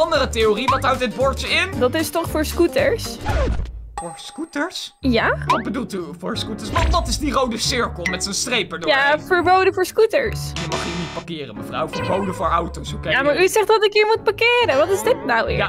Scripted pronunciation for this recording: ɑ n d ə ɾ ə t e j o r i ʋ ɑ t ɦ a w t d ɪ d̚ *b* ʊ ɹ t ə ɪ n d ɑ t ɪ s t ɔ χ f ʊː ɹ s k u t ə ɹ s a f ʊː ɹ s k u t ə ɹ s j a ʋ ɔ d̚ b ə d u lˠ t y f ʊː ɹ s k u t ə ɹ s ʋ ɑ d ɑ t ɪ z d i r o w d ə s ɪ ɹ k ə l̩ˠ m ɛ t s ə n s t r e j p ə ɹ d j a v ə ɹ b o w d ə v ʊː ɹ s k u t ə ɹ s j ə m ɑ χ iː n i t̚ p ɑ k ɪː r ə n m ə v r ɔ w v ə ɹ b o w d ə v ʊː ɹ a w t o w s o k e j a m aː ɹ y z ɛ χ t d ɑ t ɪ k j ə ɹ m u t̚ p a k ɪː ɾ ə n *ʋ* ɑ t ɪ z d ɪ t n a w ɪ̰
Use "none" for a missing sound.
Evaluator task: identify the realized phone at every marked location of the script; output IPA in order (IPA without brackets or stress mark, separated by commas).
b, ʋ